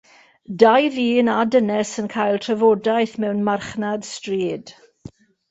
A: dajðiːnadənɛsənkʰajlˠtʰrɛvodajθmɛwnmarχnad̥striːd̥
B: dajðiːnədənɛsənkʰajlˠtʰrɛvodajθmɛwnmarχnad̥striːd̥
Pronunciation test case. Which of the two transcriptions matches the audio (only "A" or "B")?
A